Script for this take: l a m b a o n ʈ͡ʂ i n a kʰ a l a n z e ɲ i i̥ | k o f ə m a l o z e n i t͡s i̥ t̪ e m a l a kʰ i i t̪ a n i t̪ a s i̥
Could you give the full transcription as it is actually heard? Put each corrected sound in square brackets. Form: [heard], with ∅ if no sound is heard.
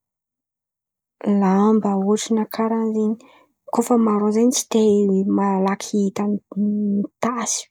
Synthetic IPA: l a m b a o [∅] ʈ͡ʂ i n a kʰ a [ɾ] a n z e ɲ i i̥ | k o f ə m a [ɾ] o z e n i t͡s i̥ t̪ e m a l a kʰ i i t̪ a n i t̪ a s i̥